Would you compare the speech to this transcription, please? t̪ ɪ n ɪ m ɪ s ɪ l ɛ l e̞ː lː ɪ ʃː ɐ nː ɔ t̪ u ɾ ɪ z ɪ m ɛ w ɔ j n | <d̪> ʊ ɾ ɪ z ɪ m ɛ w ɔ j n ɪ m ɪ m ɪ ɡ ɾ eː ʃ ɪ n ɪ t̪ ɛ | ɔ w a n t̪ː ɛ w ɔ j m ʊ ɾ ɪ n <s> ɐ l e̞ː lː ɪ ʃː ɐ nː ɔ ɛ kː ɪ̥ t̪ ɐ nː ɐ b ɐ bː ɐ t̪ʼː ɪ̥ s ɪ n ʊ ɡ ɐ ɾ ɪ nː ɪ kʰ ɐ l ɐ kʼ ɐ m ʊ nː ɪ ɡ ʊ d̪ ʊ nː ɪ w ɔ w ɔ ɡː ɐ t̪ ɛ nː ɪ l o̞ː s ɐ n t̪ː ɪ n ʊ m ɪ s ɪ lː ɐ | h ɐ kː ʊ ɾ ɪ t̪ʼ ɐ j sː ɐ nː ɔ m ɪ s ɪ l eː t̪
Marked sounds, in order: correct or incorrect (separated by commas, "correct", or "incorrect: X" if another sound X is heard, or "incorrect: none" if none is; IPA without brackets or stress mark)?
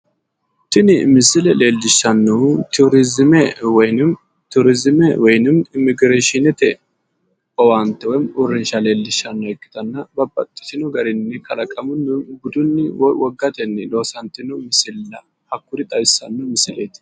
incorrect: t̪, incorrect: ʃ